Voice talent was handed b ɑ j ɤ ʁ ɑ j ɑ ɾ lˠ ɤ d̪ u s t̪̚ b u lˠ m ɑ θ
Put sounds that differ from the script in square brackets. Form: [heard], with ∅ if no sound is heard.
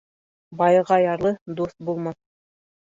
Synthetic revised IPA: b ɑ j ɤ ʁ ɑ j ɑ ɾ lˠ ɤ d̪ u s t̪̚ b u lˠ m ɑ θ

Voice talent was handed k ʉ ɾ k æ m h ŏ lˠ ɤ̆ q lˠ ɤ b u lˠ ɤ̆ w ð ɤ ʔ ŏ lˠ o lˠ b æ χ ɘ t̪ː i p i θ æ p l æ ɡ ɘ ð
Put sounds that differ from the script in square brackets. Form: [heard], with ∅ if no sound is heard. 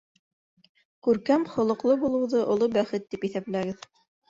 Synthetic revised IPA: k ʉ ɾ k æ m [χ] ŏ lˠ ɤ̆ q lˠ ɤ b u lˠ ɤ̆ w ð ɤ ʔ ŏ lˠ o [∅] b æ χ ɘ t̪ː i p i θ æ p l æ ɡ ɘ ð

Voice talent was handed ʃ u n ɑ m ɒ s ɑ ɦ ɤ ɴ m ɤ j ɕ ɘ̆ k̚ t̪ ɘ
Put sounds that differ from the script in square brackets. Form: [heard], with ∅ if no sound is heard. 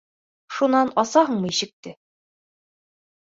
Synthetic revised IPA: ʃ u n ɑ [n] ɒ s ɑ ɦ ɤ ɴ m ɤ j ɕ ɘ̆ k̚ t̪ ɘ

